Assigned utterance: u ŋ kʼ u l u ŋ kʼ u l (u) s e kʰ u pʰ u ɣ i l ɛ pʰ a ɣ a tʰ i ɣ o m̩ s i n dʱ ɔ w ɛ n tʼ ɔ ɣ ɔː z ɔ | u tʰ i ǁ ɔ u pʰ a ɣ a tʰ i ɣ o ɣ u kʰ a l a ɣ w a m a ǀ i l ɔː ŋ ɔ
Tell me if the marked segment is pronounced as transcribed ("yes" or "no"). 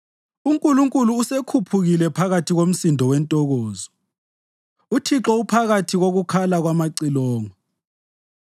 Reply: no